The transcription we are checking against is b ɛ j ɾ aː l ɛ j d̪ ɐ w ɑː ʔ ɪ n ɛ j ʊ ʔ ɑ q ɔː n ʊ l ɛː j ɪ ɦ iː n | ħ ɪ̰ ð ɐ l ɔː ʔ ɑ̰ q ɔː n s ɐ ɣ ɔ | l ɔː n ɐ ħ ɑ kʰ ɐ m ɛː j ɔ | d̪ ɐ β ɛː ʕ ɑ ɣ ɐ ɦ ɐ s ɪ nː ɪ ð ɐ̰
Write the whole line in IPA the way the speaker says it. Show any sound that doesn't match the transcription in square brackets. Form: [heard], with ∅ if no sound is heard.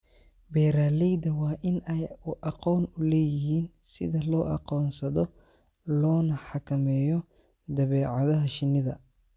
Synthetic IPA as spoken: b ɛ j ɾ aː l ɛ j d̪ ɐ w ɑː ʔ ɪ n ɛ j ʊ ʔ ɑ q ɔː n ʊ l ɛː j ɪ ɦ iː n | [s] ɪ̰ ð ɐ l ɔː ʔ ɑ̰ q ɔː n s ɐ [ð] ɔ | l ɔː n ɐ ħ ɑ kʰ ɐ m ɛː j ɔ | d̪ ɐ β ɛː ʕ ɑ [ð] ɐ ɦ ɐ [ʃ] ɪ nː ɪ ð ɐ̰